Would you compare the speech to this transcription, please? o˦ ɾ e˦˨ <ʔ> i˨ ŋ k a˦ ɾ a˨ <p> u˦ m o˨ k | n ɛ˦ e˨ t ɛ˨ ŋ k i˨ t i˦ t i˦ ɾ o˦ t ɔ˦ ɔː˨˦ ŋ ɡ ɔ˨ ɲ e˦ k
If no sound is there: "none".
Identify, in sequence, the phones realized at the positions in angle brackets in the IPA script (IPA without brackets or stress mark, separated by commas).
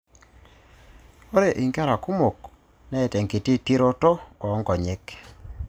ʔ, k